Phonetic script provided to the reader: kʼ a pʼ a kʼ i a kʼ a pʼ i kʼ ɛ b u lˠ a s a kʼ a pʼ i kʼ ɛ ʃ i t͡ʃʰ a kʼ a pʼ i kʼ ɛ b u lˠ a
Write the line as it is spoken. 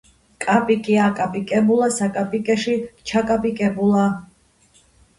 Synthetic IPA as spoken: kʼ a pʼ i kʼ i a kʼ a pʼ i kʼ ɛ b u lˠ a s a kʼ a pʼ i kʼ ɛ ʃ i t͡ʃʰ a kʼ a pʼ i kʼ ɛ b u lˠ a